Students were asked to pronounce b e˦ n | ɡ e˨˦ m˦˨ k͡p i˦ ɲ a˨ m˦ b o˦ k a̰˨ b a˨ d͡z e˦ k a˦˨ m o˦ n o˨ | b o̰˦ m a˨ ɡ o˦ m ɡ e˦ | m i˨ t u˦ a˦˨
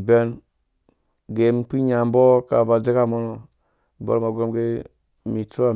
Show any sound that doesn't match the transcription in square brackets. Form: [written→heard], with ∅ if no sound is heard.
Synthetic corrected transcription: b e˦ n | ɡ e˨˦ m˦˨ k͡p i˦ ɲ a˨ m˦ b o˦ k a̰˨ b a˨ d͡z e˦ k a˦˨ m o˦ n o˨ | b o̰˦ m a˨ ɡ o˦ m ɡ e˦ | m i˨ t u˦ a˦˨